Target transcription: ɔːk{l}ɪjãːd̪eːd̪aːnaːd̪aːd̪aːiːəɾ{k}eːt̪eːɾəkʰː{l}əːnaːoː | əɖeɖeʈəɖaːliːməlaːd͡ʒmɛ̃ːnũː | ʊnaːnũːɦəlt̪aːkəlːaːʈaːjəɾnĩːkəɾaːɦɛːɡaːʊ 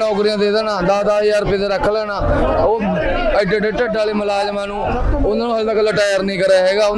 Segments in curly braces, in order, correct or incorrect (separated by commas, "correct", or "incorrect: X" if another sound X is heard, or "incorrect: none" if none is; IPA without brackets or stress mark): incorrect: ɾ, incorrect: p, correct